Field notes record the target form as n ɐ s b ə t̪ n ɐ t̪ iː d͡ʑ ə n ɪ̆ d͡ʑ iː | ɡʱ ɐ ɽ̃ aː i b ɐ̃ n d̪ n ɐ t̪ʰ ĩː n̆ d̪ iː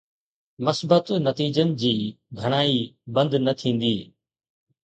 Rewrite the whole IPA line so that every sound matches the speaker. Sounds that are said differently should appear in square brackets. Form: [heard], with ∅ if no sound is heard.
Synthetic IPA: [m] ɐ s b ə t̪ n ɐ t̪ iː d͡ʑ ə n ɪ̆ d͡ʑ iː | ɡʱ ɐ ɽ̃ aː i b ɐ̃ n d̪ n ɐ t̪ʰ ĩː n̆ d̪ iː

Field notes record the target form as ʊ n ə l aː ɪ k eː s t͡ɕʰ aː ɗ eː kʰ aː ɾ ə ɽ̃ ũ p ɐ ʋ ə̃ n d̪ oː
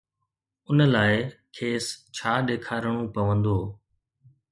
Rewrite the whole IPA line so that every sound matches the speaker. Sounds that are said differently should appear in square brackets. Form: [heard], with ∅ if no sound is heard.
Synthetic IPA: ʊ n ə l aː ɪ [kʰ] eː s t͡ɕʰ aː ɗ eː kʰ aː ɾ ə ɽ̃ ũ p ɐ ʋ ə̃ n d̪ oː

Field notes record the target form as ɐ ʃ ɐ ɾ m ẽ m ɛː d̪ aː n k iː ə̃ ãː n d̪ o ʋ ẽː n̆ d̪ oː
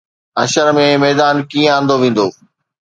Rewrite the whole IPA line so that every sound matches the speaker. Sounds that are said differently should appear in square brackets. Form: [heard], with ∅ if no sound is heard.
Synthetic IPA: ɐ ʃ [ə] ɾ m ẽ m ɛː d̪ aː n k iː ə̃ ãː n d̪ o ʋ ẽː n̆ d̪ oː

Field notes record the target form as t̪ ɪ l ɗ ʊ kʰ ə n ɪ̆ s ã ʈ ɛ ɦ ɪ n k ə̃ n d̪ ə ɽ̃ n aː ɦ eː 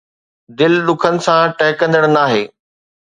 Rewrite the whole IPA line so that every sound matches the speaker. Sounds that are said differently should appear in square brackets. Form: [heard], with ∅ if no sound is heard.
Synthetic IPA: [d̪] ɪ l ɗ ʊ kʰ ə n ɪ̆ s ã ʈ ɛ ɦ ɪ [∅] k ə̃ n d̪ ə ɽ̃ n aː ɦ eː

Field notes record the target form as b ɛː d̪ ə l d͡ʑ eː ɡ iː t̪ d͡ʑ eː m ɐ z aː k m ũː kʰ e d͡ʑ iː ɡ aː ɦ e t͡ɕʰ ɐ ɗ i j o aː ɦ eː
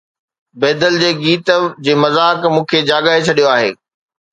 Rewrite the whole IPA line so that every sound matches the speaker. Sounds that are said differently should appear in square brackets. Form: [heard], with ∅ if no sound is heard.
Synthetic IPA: b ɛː d̪ ə l d͡ʑ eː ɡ iː t̪ d͡ʑ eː m ɐ z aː k m ũː kʰ e d͡ʑ [aː] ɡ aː ɦ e t͡ɕʰ ɐ ɗ i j o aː ɦ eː

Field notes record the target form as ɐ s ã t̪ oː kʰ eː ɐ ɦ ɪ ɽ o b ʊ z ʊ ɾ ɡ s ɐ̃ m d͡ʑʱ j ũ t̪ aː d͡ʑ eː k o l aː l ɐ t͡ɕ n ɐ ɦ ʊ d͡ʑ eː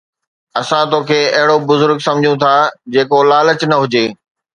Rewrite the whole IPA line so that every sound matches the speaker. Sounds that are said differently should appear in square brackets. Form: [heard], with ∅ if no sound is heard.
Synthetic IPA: ɐ s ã t̪ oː kʰ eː ɐ ɦ ɪ ɽ o b ʊ z ʊ ɾ ɡ s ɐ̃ m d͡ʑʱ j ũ [t̪ʰ] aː d͡ʑ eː k o l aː l [ə] t͡ɕ n ɐ ɦ ʊ d͡ʑ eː

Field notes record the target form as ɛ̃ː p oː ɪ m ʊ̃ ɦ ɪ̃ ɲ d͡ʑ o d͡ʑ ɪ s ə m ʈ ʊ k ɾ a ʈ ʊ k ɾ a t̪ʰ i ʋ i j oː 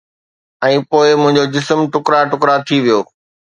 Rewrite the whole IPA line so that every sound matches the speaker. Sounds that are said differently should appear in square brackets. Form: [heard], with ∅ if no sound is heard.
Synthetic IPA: ɛ̃ː p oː ɪ m ʊ̃ ɦ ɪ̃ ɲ d͡ʑ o d͡ʑ ɪ s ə m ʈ ʊ k ɾ a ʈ ʊ k ɾ a t̪ʰ i ʋ i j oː

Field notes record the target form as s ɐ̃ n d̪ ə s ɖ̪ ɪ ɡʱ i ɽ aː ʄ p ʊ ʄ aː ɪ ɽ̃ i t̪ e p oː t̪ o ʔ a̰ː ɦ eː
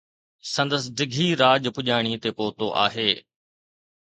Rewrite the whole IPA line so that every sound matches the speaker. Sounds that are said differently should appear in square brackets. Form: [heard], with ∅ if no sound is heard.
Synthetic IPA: s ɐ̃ n d̪ ə s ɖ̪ ɪ ɡʱ i [ɾ] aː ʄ p ʊ ʄ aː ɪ ɽ̃ i t̪ e p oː t̪ o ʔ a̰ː ɦ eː

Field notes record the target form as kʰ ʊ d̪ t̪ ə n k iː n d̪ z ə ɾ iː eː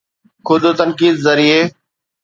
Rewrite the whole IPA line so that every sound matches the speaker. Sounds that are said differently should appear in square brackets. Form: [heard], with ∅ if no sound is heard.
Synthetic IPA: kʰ ʊ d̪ t̪ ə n k iː [∅] d̪ z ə ɾ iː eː

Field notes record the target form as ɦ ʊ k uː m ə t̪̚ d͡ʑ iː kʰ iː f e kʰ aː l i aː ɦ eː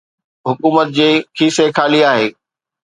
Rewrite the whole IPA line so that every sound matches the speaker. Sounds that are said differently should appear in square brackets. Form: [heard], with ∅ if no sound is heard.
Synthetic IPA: ɦ ʊ k uː m ə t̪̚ d͡ʑ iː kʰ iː [s] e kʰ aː l i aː ɦ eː

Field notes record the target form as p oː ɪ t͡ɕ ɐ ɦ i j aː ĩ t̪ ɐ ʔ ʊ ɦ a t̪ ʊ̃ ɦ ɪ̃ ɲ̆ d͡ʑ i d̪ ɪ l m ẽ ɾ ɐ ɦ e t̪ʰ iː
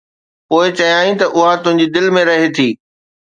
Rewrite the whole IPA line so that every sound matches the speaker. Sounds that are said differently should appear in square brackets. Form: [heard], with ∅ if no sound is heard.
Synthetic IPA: p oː ɪ t͡ɕ ɐ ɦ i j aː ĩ t̪ ɐ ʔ ʊ ɦ a t̪ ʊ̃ ɦ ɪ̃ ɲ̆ d͡ʑ i d̪ ɪ l m ẽ ɾ ɐ ɦ e t̪ʰ iː

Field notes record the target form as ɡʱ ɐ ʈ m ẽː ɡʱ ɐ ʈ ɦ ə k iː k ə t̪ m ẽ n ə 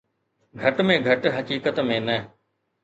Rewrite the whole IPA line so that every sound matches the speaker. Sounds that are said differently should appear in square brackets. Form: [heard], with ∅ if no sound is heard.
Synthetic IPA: ɡʱ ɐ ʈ m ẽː ɡʱ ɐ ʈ ɦ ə k iː k ə t̪ m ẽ n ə

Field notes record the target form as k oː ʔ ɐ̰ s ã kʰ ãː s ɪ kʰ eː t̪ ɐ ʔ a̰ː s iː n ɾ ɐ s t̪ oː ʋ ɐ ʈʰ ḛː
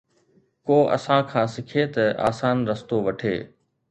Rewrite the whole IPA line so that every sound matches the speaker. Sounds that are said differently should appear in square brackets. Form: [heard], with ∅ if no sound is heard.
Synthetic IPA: k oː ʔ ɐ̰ s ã kʰ ãː s ɪ kʰ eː t̪ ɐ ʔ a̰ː s [aː] n ɾ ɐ s t̪ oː ʋ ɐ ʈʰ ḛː

